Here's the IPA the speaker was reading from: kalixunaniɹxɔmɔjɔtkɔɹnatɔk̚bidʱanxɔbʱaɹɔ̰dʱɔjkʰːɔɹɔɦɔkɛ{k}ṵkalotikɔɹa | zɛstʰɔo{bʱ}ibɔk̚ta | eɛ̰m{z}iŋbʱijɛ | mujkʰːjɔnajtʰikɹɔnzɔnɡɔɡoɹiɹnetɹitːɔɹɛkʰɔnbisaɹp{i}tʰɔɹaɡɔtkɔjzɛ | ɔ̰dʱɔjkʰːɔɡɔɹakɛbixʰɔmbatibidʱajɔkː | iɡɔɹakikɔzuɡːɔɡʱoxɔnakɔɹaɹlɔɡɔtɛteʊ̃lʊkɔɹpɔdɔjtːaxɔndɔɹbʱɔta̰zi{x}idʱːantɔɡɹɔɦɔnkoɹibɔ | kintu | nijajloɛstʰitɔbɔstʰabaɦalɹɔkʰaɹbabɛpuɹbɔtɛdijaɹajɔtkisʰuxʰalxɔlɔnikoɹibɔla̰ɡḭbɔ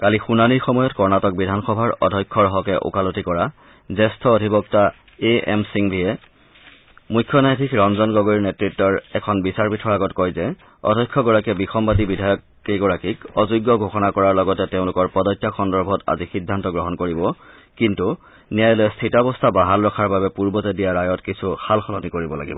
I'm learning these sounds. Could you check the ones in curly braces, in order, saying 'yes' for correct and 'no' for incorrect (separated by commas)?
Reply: no, no, no, yes, yes